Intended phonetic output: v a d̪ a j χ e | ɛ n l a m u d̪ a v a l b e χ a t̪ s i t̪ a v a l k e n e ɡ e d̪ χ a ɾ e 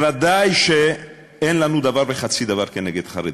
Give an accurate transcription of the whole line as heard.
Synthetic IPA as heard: v a d̪ a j ʃ e | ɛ n l a n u d̪ a v a ɾ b e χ a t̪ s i d̪ a v a ɾ k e n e ɡ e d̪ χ a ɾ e